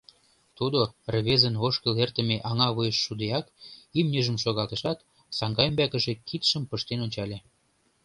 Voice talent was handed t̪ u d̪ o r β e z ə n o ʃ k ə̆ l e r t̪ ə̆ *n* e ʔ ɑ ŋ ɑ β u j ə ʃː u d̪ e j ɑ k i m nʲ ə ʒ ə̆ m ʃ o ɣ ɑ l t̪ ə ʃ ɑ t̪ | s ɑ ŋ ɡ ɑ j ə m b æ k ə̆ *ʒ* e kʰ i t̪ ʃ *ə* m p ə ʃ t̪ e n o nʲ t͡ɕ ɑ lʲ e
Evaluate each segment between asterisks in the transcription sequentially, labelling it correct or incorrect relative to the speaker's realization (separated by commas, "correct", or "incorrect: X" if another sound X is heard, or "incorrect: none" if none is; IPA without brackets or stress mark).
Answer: incorrect: m, correct, correct